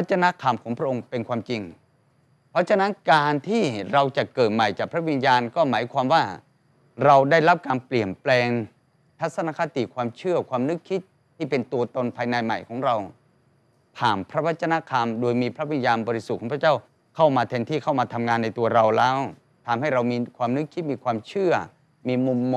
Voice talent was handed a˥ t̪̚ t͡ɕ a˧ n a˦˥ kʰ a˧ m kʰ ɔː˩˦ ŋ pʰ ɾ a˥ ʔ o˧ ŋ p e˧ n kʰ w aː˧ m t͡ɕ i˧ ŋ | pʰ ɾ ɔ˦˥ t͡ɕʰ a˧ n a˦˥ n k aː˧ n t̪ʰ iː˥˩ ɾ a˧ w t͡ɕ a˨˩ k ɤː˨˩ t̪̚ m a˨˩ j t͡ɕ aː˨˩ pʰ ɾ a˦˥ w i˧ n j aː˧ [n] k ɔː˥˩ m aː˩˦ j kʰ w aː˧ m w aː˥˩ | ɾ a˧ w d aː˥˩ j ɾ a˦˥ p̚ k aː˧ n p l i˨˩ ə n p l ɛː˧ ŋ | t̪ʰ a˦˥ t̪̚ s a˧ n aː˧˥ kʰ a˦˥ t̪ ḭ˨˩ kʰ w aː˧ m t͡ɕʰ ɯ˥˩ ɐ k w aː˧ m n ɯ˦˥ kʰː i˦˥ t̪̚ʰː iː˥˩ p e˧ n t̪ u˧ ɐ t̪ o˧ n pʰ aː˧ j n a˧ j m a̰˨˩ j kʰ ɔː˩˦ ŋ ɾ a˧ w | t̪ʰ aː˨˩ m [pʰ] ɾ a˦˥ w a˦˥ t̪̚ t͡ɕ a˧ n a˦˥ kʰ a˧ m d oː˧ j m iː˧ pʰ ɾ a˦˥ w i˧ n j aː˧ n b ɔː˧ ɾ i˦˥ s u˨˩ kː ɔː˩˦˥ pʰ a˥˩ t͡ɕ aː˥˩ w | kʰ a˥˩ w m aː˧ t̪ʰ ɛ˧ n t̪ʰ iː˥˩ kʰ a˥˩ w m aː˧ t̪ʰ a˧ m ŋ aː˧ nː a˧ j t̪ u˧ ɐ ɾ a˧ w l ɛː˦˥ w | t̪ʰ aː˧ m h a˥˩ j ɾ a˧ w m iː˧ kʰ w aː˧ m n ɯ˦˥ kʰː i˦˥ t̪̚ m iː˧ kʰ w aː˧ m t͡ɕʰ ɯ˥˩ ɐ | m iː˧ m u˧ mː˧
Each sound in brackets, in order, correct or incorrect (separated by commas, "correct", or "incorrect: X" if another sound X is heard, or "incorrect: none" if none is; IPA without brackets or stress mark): correct, correct